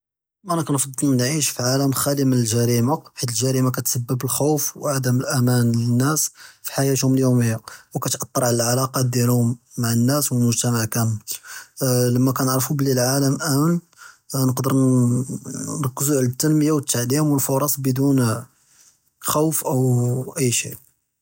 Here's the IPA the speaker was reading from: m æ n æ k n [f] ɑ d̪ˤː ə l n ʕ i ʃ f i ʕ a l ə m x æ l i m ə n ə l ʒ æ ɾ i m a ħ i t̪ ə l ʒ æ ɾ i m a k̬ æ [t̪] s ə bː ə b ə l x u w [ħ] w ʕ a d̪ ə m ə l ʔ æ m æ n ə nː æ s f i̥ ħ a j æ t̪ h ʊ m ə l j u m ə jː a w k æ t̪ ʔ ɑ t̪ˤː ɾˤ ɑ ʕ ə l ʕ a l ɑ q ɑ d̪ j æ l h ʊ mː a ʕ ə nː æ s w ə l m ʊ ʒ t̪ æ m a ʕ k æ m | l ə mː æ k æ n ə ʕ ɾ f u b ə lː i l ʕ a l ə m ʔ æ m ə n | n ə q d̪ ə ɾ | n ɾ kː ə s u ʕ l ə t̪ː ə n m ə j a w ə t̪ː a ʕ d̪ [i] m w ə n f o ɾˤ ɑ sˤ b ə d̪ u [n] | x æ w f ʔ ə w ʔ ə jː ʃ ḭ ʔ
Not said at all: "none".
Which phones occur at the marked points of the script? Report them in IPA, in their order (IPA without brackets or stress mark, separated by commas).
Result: f, t̪, f, i, n